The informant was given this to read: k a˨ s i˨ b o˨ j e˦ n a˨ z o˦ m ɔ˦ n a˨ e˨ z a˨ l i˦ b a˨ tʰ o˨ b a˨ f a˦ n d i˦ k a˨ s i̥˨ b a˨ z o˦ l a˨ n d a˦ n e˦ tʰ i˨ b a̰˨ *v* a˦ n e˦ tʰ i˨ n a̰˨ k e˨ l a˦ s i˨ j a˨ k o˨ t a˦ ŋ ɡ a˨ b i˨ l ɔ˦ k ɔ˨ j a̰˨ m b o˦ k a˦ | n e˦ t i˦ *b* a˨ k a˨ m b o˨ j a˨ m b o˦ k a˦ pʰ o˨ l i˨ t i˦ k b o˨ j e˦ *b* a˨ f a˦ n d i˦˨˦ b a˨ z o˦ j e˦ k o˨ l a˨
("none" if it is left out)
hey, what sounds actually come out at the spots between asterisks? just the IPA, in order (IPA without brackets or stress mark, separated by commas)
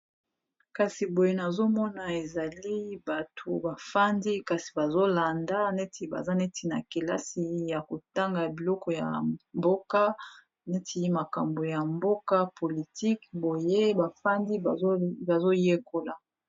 z, m, b